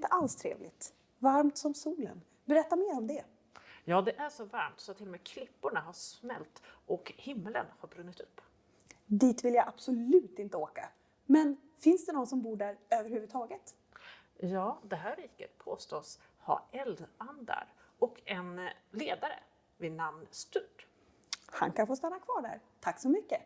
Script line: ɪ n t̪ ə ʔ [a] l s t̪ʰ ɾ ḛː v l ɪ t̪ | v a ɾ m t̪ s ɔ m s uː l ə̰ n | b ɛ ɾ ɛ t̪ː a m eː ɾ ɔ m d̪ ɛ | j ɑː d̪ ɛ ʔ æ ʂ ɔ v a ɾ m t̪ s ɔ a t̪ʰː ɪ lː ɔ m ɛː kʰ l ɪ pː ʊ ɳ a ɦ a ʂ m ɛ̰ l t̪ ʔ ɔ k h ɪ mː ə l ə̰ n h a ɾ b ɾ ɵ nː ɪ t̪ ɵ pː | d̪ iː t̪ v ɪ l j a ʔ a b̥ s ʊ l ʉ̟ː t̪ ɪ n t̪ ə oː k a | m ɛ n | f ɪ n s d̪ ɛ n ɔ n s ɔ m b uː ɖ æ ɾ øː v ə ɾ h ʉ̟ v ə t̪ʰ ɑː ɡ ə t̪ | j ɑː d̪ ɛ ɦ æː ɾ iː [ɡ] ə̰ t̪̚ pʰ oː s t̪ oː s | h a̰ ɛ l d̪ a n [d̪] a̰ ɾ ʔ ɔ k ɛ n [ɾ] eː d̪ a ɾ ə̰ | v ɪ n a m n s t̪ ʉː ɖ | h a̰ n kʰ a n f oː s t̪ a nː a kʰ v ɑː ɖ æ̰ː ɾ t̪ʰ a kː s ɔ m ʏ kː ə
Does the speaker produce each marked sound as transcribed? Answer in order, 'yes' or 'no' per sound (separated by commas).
yes, no, yes, no